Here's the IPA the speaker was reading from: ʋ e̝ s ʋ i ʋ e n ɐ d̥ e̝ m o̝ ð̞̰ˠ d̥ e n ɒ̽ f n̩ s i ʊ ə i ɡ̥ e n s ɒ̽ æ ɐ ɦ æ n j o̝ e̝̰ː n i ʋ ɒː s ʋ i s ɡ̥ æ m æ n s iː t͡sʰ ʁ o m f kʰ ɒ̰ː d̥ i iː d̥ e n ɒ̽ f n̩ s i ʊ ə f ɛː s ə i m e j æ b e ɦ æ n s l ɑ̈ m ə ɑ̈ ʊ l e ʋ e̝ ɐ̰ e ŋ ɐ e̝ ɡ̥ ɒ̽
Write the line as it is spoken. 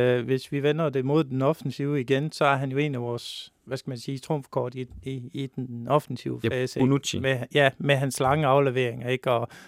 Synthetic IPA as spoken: ʋ e̝ s ʋ i ʋ e n ɐ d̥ e̝ m o̝ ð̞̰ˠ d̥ e n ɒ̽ f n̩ s i ʊ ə i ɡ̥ e n s ɒ̽ æ ɐ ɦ æ n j o̝ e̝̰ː n æ ʋ ɒː s ʋ æ s ɡ̥ æ m æ n s iː t͡sʰ ʁ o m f kʰ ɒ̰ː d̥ i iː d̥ e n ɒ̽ f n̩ s i ʊ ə f ɛː s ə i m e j æ m e ɦ æ n s l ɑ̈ ŋ ə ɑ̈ ʊ l e ʋ e̝ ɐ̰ e ŋ ɐ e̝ ɡ̥ ɒ̽